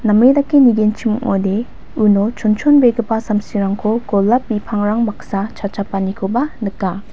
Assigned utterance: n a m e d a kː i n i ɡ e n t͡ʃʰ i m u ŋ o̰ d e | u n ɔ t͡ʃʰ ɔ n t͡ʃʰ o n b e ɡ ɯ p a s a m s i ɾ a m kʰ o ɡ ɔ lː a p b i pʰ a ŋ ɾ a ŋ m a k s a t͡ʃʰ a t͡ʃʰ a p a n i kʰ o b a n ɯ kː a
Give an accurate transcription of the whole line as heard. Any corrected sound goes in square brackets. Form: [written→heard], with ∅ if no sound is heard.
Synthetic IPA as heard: n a m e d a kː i n i ɡ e n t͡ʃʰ i m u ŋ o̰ d e | u n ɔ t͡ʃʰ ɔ n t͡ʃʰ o n b e ɡ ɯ p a s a m s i ɾ a [m→ŋ] kʰ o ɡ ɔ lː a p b i pʰ a ŋ ɾ a ŋ m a k s a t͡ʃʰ a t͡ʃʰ a p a n i kʰ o b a n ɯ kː a